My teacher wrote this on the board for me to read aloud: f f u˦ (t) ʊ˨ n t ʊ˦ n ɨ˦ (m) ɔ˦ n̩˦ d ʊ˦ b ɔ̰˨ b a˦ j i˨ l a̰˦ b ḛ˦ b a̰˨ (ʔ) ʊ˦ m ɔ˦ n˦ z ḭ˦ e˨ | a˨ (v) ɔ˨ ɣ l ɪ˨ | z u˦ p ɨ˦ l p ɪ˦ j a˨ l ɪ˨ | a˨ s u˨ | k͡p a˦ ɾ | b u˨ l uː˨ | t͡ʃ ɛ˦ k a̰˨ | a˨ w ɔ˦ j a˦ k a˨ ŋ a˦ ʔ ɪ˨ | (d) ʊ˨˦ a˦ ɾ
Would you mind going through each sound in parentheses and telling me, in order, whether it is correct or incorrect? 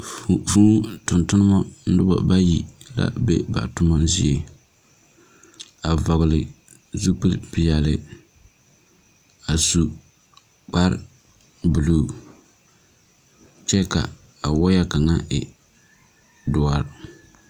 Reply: correct, correct, incorrect: t, correct, correct

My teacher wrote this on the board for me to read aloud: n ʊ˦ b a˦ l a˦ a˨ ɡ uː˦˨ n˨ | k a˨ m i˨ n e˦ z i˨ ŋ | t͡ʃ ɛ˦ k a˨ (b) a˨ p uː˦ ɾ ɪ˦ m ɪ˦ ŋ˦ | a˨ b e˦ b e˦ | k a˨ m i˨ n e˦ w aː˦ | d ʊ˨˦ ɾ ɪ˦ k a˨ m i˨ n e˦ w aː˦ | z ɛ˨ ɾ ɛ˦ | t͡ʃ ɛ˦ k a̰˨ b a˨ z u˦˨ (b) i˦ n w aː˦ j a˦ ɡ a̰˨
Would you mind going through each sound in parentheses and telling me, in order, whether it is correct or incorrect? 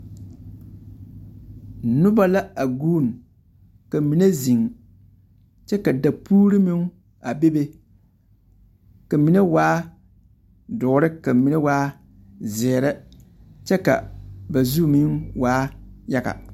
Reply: incorrect: d, incorrect: m

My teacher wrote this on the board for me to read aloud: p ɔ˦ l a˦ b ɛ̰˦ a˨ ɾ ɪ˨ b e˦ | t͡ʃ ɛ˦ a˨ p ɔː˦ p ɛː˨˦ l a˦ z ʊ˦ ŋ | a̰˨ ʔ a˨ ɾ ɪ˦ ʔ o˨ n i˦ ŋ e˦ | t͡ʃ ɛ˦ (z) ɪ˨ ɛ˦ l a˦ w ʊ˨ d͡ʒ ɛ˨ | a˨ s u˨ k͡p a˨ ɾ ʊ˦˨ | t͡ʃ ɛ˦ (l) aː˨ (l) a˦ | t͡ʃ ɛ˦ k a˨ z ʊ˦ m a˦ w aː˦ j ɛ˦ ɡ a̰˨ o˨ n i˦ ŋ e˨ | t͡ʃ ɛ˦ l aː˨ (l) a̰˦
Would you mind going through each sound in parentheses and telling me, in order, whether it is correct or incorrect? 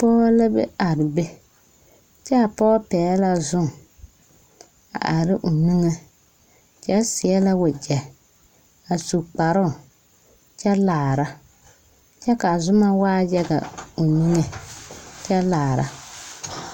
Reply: incorrect: s, correct, incorrect: ɾ, incorrect: ɾ

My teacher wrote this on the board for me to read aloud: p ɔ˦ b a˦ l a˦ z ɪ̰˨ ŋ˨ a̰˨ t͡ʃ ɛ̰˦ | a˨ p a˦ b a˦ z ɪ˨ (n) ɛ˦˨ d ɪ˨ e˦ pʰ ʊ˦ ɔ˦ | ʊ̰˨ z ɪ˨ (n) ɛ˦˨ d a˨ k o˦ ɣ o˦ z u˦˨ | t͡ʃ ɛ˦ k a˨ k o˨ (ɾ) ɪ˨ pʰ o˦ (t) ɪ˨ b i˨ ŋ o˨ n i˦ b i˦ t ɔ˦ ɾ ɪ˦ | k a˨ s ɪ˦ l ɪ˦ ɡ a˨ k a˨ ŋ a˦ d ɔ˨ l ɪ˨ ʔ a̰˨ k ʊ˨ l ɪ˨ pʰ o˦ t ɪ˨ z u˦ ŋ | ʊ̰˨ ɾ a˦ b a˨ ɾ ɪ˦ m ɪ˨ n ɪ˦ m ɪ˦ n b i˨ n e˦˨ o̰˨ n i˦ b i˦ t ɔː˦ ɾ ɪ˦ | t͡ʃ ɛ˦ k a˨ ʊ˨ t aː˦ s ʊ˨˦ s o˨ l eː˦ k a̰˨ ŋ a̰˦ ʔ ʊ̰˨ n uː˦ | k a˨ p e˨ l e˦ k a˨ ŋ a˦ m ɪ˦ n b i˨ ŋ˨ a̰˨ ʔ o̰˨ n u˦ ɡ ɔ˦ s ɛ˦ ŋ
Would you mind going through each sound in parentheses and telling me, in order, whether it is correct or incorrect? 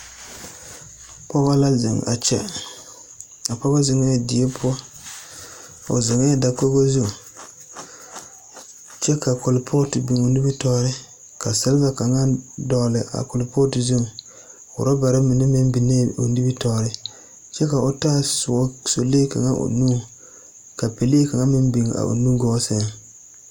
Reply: incorrect: ŋ, incorrect: ŋ, incorrect: l, correct

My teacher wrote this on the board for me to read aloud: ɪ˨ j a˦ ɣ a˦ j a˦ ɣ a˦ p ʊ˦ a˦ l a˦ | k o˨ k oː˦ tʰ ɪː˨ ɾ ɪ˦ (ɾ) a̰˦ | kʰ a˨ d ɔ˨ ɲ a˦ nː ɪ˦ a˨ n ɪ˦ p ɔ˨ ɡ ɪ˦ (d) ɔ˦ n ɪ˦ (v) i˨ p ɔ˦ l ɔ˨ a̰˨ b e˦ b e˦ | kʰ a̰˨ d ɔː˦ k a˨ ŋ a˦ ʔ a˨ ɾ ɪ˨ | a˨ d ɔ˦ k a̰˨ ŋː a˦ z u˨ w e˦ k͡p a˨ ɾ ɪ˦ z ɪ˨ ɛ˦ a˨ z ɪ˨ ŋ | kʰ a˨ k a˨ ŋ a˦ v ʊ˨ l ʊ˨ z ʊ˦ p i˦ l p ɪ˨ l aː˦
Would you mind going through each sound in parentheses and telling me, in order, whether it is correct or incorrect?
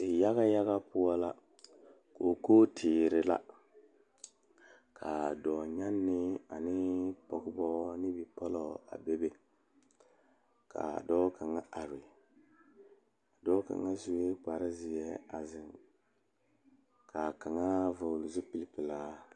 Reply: incorrect: l, incorrect: b, incorrect: b

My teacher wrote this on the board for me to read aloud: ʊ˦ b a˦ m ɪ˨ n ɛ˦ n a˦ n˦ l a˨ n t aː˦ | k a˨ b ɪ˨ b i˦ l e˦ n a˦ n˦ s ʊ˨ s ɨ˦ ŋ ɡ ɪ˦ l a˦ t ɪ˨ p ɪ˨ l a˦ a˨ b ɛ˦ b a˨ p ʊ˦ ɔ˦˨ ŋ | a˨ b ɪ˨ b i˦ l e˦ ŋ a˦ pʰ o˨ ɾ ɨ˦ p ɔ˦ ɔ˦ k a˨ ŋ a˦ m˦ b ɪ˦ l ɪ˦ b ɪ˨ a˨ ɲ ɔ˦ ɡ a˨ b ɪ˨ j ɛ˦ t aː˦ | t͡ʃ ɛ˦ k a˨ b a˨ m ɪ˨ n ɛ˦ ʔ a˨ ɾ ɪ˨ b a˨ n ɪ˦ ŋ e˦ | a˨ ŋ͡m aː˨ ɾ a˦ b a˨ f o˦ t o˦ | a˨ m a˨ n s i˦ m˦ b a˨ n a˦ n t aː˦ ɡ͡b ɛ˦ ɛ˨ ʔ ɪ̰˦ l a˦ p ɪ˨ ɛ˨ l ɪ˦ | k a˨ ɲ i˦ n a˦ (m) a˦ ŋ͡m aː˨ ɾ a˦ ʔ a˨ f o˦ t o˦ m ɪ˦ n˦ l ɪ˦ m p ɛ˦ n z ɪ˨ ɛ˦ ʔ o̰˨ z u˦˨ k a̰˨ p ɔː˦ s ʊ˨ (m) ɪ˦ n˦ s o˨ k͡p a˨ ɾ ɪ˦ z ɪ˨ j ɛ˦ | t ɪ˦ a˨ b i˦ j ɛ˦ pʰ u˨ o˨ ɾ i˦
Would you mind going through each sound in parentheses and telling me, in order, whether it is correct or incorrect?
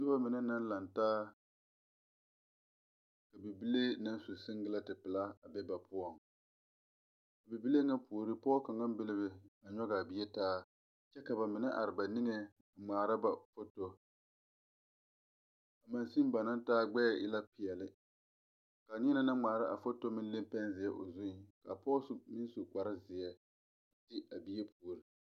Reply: incorrect: n, correct

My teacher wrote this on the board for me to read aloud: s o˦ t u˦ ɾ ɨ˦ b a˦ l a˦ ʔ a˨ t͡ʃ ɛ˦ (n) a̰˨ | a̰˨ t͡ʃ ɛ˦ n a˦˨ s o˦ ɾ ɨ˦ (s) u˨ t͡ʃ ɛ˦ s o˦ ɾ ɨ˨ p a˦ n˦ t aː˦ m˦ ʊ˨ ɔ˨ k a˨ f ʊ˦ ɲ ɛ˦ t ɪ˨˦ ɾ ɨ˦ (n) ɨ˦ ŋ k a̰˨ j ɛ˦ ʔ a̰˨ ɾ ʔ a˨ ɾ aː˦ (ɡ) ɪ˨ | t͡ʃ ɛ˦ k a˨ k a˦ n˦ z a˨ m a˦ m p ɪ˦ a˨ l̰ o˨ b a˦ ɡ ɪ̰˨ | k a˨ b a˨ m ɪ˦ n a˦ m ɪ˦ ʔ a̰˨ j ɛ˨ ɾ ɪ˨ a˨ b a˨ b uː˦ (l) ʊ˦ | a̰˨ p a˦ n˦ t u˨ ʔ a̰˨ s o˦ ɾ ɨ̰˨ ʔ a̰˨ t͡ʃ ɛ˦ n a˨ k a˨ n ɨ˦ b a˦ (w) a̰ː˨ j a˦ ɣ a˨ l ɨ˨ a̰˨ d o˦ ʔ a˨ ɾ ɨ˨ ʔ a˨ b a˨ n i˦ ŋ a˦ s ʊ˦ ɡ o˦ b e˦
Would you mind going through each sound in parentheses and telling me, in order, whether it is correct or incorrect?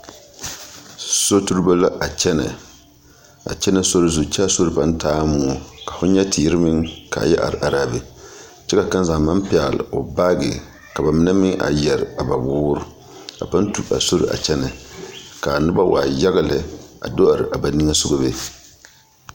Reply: correct, incorrect: z, incorrect: m, incorrect: b, incorrect: ɾ, correct

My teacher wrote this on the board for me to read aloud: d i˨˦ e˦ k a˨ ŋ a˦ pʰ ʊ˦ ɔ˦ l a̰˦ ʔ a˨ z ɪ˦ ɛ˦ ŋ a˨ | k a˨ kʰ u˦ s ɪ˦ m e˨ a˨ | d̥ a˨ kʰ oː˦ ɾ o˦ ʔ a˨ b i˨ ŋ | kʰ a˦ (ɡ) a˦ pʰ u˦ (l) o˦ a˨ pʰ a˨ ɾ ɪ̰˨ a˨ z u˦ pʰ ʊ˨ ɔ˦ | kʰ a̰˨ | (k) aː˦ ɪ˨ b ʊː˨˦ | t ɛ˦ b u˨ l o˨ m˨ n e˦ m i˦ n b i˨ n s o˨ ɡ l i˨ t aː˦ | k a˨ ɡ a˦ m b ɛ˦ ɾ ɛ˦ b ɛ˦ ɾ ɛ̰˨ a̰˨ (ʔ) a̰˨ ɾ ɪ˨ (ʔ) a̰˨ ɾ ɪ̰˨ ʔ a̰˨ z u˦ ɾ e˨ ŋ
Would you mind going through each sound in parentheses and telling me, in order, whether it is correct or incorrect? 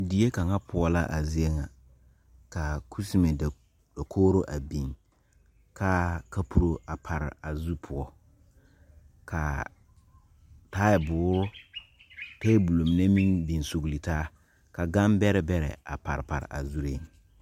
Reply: incorrect: k, incorrect: ɾ, incorrect: t, incorrect: p, incorrect: p

